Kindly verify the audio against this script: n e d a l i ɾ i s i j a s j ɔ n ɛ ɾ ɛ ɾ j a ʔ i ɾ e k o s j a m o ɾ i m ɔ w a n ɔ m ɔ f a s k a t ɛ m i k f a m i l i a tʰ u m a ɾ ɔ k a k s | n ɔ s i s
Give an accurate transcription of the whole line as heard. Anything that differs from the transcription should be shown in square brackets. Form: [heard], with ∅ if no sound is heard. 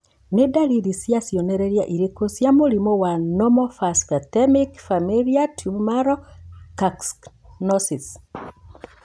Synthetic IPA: n e d a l i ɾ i s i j a s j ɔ n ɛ ɾ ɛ ɾ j a ʔ i ɾ e k o s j a m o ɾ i m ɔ w a n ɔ m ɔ f a s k a t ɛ m i k f a m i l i a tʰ u m a ɾ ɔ k a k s | n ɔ s i s